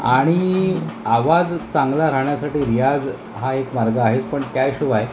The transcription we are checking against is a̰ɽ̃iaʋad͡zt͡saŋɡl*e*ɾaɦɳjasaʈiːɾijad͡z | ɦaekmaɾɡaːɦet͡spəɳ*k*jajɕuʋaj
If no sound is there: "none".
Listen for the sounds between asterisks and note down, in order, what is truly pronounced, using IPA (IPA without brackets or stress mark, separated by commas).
a, k